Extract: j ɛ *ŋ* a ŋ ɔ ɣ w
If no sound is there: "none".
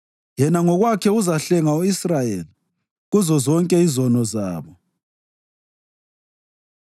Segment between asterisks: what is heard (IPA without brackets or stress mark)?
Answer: n